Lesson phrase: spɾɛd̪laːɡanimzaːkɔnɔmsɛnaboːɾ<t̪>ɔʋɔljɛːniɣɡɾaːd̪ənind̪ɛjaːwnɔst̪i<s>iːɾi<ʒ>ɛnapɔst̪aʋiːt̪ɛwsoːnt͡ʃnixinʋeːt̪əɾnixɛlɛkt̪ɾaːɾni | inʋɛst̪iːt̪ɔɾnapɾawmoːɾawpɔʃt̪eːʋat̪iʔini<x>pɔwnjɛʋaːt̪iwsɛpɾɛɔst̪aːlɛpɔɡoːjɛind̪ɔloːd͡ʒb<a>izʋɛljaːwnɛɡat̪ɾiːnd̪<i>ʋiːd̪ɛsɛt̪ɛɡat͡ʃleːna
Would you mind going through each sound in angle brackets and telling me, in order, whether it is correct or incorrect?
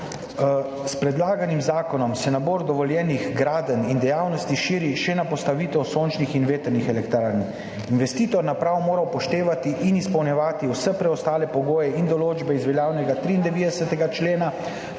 incorrect: d̪, incorrect: ʃ, incorrect: ʃ, incorrect: s, incorrect: ɛ, incorrect: ɛ

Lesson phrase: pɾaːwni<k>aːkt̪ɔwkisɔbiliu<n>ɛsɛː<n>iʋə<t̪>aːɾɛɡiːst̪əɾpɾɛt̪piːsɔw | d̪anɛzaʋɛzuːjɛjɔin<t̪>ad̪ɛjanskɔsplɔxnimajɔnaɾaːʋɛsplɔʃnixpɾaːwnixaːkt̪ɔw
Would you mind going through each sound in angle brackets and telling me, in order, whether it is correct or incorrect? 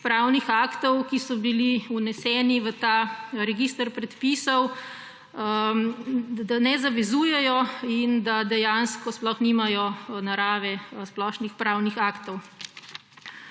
incorrect: x, correct, correct, correct, incorrect: d̪

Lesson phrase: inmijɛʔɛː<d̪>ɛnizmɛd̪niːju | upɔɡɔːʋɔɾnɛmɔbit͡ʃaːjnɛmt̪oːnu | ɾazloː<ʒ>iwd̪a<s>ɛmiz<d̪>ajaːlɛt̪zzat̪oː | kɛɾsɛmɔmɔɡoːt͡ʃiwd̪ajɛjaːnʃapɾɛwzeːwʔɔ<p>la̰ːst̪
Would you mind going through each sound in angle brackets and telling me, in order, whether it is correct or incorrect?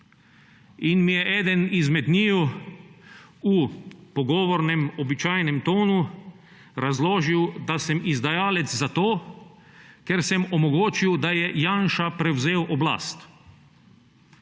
correct, correct, correct, correct, incorrect: b

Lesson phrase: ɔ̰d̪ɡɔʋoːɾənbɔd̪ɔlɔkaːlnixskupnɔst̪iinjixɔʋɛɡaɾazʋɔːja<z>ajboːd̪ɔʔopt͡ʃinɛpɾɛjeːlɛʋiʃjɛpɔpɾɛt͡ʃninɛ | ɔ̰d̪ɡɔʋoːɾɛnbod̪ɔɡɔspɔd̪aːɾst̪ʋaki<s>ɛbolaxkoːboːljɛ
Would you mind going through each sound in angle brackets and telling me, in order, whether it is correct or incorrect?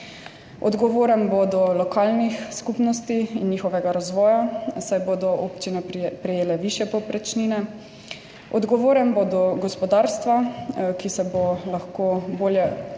incorrect: s, correct

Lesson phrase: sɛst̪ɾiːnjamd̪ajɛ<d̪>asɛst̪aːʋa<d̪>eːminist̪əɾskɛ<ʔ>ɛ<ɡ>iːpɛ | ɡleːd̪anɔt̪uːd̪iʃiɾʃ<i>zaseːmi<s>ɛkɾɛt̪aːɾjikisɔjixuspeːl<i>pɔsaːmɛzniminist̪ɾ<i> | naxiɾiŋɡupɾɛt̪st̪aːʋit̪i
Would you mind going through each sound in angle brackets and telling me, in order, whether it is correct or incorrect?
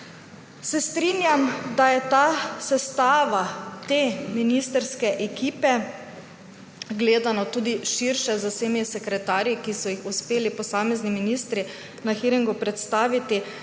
incorrect: t̪, incorrect: t̪, correct, incorrect: k, incorrect: ɛ, correct, correct, correct

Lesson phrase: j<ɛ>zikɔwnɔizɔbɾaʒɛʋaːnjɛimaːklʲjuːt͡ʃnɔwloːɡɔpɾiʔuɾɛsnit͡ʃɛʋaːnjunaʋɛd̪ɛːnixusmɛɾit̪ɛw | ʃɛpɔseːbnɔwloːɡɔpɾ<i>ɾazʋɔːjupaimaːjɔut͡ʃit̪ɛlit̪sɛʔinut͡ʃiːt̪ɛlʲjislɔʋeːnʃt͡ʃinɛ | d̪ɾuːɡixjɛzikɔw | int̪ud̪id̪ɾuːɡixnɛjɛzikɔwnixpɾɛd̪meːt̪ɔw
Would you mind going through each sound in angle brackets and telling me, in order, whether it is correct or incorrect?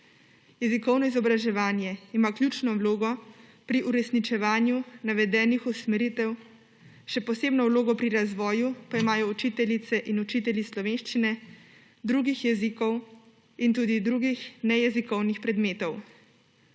correct, correct

